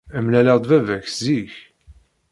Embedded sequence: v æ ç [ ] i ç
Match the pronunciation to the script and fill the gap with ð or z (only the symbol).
z